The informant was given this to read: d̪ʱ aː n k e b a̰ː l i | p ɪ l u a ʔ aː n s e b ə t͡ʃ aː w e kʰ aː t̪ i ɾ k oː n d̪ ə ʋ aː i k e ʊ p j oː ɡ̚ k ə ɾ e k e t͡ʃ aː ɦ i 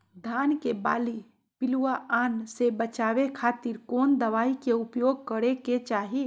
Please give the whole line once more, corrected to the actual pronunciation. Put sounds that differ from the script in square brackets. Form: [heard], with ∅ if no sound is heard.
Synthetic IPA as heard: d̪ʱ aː n k e b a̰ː l i | p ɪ l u a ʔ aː n s e b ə t͡ʃ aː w e kʰ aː t̪ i ɾ k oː n d̪ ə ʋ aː i k e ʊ p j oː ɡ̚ k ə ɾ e k e t͡ʃ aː ɦ i

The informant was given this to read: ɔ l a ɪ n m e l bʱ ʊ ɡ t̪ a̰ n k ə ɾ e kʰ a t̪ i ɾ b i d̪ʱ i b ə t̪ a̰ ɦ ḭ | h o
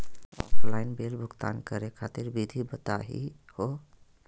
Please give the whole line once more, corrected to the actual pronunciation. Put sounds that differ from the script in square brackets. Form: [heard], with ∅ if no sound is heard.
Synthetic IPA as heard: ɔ l a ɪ n [b] e l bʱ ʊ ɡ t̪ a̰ n k ə ɾ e kʰ a t̪ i ɾ b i d̪ʱ i b ə t̪ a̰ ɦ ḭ | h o

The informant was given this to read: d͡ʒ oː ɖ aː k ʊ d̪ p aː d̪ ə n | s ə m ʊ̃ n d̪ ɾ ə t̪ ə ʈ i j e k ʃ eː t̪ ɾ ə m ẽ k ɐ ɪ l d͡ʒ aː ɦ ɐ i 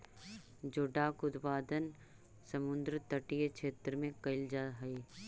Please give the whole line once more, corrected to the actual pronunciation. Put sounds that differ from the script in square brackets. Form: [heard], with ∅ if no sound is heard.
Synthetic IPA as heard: d͡ʒ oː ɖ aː k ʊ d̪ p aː d̪ ə n | s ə m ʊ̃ n d̪ ɾ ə t̪ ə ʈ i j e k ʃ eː t̪ ɾ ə m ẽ k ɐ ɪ l d͡ʒ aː ɦ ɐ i

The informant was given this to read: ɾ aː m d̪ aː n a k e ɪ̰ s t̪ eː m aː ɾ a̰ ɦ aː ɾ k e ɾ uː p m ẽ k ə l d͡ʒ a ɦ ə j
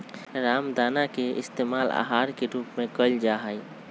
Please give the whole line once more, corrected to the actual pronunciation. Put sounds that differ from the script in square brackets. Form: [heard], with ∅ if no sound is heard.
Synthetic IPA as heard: ɾ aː m d̪ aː n a k e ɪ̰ s t̪ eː m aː [l] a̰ ɦ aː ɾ k e ɾ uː p m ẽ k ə l d͡ʒ a ɦ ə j

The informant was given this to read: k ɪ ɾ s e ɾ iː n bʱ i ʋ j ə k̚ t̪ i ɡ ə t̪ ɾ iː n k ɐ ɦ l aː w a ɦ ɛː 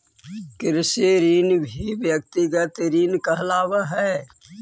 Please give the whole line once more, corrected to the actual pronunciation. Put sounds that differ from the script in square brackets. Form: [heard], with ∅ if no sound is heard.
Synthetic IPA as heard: k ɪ ɾ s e ɾ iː n bʱ i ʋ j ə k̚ t̪ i ɡ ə t̪ ɾ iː n k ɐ ɦ l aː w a ɦ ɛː

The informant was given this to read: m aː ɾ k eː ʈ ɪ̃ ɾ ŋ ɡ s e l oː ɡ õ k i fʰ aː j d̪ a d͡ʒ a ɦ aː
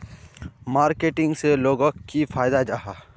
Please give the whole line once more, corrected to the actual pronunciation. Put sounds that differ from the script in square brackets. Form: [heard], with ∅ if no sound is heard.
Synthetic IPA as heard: m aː ɾ k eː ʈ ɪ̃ [∅] ŋ ɡ s e l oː ɡ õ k i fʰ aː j d̪ a d͡ʒ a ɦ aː

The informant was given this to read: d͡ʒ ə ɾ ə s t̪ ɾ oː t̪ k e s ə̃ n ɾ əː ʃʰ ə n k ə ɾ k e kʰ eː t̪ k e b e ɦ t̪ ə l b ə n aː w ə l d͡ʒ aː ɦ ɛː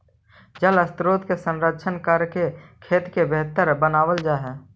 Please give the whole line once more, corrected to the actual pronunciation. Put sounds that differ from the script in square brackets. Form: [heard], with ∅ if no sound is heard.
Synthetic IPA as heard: d͡ʒ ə [l] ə s t̪ ɾ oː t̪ k e s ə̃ n ɾ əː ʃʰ ə n k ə ɾ k e kʰ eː t̪ k e b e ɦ t̪ ə [ɾ] b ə n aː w ə l d͡ʒ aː ɦ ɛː

